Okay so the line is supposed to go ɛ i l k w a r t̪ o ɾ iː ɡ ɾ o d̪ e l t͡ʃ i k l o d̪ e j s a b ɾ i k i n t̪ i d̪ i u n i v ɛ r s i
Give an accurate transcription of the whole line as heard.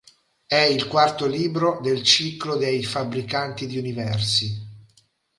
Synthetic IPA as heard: ɛ i l k w a r t̪ o l iː b ɾ o d̪ e l t͡ʃ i k l o d̪ e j f a b ɾ i k a n t̪ i d̪ i u n i v ɛ r s i